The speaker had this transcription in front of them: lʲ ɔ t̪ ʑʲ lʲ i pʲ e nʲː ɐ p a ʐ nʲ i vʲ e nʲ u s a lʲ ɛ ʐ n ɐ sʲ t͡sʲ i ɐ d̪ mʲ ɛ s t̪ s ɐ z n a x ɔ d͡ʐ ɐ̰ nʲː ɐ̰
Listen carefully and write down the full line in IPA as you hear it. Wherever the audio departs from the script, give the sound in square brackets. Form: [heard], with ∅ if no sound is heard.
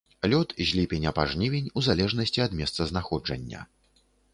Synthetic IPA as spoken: lʲ ɔ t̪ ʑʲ lʲ i pʲ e [nʲ] ɐ p a ʐ nʲ i vʲ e nʲ u [z] a lʲ ɛ ʐ n ɐ sʲ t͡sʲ i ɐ d̪ mʲ ɛ s t̪ s ɐ z n a x ɔ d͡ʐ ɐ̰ nʲː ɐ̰